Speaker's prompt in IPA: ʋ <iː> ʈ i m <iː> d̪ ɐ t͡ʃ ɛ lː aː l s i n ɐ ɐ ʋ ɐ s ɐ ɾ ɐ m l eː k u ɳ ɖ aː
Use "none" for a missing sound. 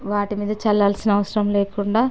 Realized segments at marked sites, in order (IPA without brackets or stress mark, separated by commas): aː, iː